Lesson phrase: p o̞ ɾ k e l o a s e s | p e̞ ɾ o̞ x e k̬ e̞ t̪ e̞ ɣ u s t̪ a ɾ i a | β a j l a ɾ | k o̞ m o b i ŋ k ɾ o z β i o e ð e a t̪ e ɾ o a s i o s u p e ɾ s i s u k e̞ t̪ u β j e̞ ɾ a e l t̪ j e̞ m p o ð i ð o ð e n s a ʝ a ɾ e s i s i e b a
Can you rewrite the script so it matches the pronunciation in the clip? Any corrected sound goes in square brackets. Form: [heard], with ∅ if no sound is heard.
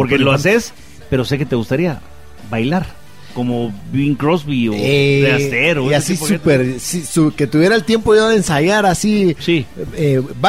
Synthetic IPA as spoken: p o̞ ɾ k e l o a s e s | p e̞ ɾ o̞ [s] e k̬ e̞ t̪ e̞ ɣ u s t̪ a ɾ i a | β a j l a ɾ | k o̞ m o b i ŋ k ɾ o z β i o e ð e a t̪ e ɾ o a s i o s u p e ɾ s i s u k e̞ t̪ u β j e̞ ɾ a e l t̪ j e̞ m p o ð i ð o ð e n s a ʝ a ɾ [a] s i s i e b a